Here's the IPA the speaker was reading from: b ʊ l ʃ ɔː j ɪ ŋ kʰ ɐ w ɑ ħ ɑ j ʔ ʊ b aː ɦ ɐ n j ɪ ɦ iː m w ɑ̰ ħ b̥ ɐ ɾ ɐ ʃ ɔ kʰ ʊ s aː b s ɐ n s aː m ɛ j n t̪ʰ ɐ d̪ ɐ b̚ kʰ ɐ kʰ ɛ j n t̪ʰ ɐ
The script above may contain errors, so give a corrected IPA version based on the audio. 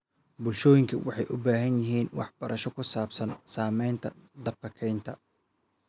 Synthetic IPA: b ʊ l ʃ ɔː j ɪ ŋ kʰ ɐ w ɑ ħ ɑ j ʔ ʊ b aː ɦ ɐ n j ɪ ɦ iː n w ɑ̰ ħ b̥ ɐ ɾ ɐ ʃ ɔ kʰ ʊ s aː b s ɐ n s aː m ɛ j n t̪ʰ ɐ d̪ ɐ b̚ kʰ ɐ kʰ ɛ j n t̪ʰ ɐ

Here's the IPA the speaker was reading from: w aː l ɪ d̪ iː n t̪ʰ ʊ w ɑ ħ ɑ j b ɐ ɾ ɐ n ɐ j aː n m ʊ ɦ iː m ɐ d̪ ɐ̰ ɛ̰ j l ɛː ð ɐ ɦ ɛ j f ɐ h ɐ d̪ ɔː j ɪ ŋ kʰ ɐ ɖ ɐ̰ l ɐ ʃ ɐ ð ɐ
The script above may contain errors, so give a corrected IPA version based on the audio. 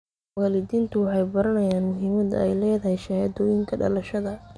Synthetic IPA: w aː l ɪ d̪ iː n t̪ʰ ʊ w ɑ ħ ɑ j b ɐ ɾ ɐ n ɐ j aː n m ʊ ɦ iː m ɐ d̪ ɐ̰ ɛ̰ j l ɛː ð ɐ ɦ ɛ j ʃ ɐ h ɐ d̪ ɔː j ɪ ŋ kʰ ɐ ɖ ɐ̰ l ɐ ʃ ɐ ð ɐ

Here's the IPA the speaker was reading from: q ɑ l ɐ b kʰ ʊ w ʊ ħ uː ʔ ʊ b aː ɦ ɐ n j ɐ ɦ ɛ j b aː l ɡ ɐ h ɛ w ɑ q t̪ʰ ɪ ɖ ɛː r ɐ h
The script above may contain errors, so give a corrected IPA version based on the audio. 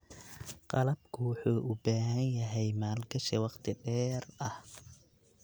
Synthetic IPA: q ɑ l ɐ b kʰ ʊ w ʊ ħ uː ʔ ʊ b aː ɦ ɐ n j ɐ ɦ ɛ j m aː l ɡ ɐ ʃ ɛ w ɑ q t̪ʰ ɪ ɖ ɛː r ɐ h

